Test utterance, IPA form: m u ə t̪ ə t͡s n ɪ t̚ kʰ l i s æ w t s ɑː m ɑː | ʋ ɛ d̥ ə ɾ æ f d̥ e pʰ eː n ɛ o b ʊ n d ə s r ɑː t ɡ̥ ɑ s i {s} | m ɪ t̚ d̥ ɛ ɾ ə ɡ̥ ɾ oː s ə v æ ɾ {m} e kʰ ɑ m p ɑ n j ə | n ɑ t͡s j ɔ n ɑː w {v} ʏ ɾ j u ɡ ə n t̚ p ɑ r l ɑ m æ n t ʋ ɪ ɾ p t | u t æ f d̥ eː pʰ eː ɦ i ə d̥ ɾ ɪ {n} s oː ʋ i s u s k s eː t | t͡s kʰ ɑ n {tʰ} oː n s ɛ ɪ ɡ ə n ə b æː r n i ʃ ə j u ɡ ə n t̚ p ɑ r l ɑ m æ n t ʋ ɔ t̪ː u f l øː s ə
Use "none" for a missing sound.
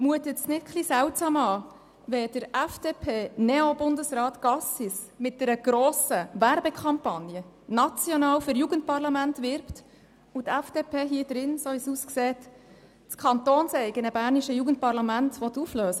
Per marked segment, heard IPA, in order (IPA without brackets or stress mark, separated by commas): s, b, f, n, t